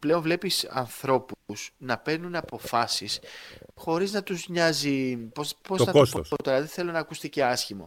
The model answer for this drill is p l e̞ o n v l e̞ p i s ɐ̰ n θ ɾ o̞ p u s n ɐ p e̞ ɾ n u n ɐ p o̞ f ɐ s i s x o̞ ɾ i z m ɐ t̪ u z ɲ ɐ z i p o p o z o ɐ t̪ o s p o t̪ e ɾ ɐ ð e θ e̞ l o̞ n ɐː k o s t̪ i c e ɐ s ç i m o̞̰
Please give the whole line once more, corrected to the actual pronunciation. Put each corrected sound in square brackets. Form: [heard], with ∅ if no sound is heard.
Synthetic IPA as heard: p l e̞ o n v l e̞ p i s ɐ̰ n θ ɾ o̞ p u s n ɐ p e̞ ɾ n u n ɐ p o̞ f ɐ s i s x o̞ ɾ i z [n] ɐ t̪ u z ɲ ɐ z i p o p o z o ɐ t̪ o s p o t̪ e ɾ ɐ ð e θ e̞ l o̞ n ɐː k [u] s t̪ i c e ɐ s ç i m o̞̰